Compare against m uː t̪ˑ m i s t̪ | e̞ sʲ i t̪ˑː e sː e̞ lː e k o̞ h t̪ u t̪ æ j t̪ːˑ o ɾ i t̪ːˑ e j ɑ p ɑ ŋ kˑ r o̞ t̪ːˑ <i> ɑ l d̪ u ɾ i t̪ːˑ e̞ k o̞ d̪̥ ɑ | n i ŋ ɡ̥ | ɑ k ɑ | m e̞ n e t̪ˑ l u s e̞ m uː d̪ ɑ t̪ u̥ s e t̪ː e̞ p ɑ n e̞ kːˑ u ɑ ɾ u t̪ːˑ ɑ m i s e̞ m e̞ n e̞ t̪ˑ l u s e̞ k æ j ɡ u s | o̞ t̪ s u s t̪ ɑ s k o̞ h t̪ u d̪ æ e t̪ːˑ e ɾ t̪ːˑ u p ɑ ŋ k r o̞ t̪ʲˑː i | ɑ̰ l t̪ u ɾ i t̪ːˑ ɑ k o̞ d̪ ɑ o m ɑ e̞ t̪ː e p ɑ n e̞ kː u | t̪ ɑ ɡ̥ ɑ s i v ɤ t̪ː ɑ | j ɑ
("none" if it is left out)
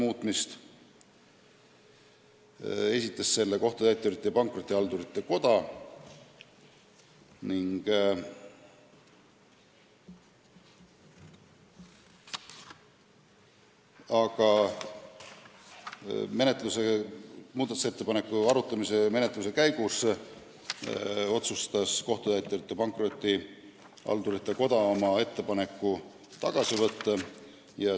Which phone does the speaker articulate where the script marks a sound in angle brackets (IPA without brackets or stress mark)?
i